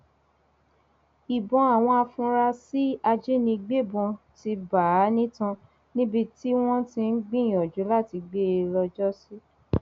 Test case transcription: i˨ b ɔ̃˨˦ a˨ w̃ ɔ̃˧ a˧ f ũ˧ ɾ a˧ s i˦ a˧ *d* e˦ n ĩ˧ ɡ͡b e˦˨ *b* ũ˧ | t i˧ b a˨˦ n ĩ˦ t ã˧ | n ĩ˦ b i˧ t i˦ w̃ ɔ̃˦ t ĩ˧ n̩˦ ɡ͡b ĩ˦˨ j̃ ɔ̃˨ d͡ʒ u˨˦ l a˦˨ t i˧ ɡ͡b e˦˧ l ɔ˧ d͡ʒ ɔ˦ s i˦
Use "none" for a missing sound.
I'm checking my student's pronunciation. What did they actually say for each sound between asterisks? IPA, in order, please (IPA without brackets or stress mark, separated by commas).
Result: d͡ʒ, b